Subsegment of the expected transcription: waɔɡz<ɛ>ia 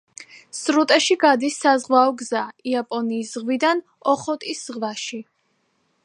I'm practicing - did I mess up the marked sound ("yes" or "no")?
yes